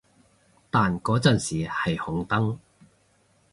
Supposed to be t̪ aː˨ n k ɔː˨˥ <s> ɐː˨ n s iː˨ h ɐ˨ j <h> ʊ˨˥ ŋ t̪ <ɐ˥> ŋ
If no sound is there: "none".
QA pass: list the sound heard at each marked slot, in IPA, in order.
t͡s, h, ɐ˥

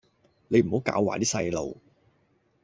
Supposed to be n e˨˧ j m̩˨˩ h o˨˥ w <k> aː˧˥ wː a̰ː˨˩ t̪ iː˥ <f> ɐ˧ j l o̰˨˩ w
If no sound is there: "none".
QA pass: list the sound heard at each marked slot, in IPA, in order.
k, s

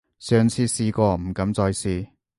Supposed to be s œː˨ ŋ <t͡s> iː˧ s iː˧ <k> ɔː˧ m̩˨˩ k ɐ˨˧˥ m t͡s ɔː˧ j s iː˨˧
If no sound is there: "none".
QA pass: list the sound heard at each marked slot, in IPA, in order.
t͡sʰ, k

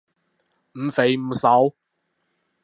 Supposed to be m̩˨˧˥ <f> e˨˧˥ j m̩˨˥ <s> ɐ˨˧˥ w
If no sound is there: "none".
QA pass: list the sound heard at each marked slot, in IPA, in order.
f, s

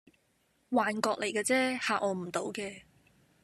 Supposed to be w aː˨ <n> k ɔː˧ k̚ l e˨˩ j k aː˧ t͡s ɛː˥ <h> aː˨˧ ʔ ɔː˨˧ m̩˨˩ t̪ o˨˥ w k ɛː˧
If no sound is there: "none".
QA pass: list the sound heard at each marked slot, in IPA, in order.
n, h

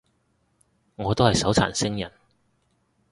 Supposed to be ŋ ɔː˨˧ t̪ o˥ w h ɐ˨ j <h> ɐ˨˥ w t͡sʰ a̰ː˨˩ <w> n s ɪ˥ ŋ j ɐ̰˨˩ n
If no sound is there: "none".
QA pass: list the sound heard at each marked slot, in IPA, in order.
s, none

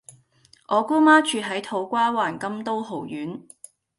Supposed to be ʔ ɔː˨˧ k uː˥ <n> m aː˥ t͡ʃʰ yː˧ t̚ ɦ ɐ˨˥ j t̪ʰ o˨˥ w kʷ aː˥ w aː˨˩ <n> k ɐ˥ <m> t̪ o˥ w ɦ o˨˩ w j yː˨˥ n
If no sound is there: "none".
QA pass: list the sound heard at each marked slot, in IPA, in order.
none, n, m

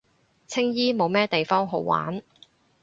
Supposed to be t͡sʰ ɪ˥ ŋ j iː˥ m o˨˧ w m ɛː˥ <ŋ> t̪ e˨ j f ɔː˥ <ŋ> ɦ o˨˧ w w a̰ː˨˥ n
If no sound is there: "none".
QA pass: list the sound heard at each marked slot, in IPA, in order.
none, ŋ

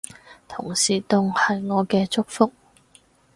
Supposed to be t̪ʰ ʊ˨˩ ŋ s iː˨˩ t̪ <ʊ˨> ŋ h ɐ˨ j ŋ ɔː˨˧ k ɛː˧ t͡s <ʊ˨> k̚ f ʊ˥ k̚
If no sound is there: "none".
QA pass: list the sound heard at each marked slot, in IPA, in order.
ʊ˨, ʊ˥

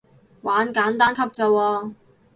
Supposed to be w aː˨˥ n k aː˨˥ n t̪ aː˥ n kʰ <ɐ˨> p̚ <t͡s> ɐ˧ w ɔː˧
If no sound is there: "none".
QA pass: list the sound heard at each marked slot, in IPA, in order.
ɐ˥, t͡s

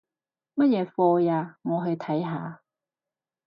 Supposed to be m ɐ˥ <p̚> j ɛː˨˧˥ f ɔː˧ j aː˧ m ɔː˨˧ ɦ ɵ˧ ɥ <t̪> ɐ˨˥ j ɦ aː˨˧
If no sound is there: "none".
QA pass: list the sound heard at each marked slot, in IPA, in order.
t̚, t̪ʰ

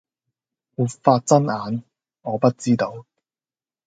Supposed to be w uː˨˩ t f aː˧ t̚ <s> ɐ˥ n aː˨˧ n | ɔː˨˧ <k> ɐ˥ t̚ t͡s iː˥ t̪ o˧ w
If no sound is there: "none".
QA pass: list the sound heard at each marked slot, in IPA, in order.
t͡s, p

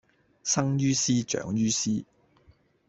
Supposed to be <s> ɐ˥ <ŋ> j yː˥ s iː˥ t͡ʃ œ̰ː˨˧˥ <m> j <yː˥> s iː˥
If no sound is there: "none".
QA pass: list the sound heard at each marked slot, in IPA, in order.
s, ŋ, ŋ, yː˥

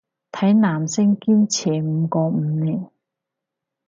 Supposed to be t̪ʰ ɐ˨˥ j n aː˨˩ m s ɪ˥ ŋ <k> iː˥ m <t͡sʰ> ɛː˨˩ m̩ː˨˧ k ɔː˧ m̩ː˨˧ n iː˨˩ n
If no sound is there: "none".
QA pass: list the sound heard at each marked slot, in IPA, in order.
k, t͡sʰ

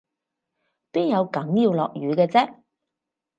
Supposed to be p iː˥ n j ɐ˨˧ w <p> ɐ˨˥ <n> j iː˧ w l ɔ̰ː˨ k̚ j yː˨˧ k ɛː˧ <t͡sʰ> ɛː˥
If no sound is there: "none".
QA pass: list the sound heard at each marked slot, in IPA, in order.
k, ŋ, t͡s

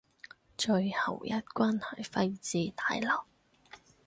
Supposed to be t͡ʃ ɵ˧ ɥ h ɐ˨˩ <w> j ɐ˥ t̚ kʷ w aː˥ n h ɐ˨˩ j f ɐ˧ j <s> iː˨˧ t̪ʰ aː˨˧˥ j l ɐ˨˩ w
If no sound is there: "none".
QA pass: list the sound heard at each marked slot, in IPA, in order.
w, t͡s

